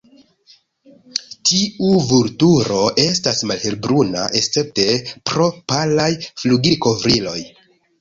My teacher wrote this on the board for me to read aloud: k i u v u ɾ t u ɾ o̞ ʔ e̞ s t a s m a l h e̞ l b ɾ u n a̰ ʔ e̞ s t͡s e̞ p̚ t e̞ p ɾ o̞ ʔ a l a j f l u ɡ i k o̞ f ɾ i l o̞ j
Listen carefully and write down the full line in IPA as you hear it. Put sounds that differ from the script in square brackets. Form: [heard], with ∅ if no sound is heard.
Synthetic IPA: [t] i u v u ɾ t u ɾ o̞ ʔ e̞ s t a s m a l h e̞ l b ɾ u n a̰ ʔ e̞ s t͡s e̞ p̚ t e̞ p ɾ o̞ [p] a l a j f l u ɡ i k o̞ [v] ɾ i l o̞ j